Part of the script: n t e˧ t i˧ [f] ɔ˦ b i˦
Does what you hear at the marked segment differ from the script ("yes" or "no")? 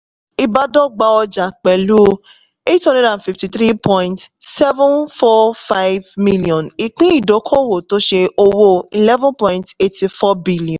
no